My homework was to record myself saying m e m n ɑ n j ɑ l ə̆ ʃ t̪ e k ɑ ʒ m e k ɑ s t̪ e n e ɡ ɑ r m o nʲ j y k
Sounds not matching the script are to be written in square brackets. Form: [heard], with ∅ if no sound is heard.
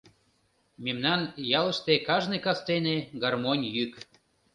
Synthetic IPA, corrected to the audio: m e m n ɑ n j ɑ l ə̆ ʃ t̪ e k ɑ ʒ [n] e k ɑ s t̪ e n e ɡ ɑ r m o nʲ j y k